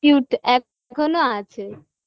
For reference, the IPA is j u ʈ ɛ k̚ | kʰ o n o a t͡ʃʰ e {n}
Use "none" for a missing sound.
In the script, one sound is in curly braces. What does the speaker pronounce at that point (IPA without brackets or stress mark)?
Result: none